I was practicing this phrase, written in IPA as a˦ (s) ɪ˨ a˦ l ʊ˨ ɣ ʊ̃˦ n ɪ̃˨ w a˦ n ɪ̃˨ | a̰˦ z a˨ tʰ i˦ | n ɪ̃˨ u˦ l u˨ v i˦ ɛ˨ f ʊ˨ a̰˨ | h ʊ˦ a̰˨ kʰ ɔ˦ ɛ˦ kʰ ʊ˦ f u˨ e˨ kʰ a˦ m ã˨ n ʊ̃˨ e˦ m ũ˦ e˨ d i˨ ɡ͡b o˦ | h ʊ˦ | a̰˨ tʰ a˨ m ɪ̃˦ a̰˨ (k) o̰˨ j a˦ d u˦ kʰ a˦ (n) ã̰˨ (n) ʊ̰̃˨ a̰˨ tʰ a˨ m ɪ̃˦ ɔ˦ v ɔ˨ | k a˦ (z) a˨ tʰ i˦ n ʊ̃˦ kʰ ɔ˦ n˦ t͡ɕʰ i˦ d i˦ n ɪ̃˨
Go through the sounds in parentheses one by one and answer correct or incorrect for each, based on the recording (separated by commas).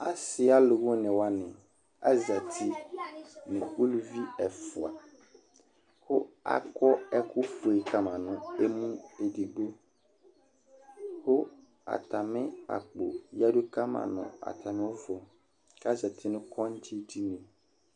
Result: correct, incorrect, incorrect, correct, correct